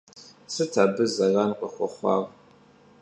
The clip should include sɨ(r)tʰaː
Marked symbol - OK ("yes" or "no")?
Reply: no